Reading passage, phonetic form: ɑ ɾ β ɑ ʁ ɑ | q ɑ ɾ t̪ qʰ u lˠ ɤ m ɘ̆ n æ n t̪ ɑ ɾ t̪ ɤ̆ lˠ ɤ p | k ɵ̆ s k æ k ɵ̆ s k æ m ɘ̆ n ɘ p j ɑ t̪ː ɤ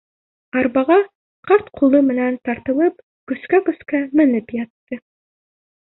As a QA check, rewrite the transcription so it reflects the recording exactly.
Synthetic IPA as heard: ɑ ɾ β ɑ ʁ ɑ | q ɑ ɾ t̪ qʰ u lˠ ɤ m ɘ̆ n æ n t̪ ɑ ɾ t̪ ɤ̆ lˠ ɤ p | k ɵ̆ s k æ k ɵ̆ s k æ m ɘ̆ n ɘ p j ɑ t̪ː ɤ